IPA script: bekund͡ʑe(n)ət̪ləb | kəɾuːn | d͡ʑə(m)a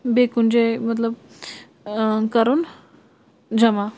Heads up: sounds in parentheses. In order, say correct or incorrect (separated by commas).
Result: incorrect, correct